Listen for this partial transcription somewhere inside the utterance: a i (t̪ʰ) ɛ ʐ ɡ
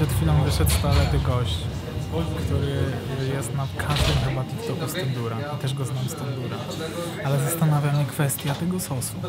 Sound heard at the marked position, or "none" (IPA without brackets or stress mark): t̪